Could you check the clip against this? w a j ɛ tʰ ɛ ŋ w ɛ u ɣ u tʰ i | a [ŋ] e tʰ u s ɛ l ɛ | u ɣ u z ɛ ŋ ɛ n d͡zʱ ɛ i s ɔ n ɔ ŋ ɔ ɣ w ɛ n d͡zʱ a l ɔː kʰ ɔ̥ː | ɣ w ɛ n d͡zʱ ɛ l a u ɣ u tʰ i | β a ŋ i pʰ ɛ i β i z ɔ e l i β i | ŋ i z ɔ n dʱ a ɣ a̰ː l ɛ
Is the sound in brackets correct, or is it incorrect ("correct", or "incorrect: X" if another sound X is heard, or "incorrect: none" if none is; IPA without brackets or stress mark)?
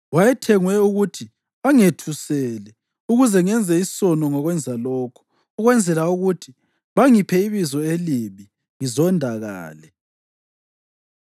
correct